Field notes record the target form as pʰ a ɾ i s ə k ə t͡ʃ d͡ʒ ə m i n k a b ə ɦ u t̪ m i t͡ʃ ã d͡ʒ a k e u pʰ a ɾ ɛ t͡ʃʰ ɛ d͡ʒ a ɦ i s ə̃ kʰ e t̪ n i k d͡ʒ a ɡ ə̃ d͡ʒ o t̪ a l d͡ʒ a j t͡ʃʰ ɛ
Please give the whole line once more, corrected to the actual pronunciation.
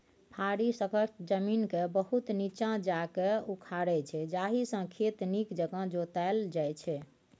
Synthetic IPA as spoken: pʰ a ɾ i s ə k ə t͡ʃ d͡ʒ ə m i n k e b ə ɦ u t̪ n i t͡ʃ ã d͡ʒ a k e u kʰ a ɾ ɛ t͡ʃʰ ɛ d͡ʒ a ɦ i s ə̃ kʰ e t̪ n i k d͡ʒ ə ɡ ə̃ d͡ʒ o t̪ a l d͡ʒ a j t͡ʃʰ ɛ